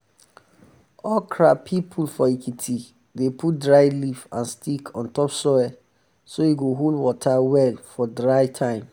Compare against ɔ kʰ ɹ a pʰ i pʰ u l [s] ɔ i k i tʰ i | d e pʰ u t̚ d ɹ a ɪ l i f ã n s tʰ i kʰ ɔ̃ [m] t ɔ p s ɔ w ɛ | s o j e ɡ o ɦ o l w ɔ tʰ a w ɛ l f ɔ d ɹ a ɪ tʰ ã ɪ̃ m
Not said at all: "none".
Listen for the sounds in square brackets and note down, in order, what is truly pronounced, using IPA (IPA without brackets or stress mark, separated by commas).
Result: f, n